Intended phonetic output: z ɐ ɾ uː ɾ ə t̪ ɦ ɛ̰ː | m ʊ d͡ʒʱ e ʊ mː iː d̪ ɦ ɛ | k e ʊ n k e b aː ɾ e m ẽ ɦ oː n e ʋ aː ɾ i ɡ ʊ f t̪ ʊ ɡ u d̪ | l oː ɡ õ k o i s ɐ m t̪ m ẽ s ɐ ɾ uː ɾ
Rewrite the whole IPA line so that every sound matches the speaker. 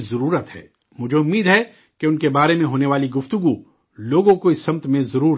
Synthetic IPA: z ɐ ɾ uː ɾ ə t̪ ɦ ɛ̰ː | m ʊ d͡ʒʱ e ʊ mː iː d̪ ɦ ɛ | k e ʊ n k e b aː ɾ e m ẽ ɦ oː n e ʋ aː l i ɡ ʊ f t̪ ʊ ɡ u | l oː ɡ õ k o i s ɐ m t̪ m ẽ z ɐ ɾ uː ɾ